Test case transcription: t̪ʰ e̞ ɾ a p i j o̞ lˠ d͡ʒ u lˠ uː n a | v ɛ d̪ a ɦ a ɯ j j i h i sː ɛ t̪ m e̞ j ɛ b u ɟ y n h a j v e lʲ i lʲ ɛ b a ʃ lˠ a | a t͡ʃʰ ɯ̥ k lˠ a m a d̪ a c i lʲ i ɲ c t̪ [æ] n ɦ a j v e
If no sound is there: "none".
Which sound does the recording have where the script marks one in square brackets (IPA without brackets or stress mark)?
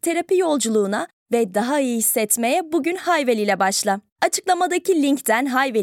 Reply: æ